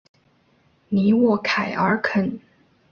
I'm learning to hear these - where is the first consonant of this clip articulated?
tongue tip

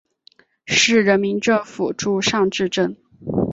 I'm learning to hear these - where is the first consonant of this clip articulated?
retroflex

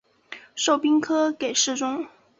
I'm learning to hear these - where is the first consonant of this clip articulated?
retroflex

